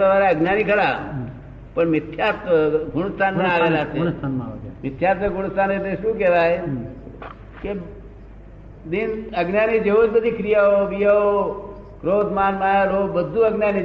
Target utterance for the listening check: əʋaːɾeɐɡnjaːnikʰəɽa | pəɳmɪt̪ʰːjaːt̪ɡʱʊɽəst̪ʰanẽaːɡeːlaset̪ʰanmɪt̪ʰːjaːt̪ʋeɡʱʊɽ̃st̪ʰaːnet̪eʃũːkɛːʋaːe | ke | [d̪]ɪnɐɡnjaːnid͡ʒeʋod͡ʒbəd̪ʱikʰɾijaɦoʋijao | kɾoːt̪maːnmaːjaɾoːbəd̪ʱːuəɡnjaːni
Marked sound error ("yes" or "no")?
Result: no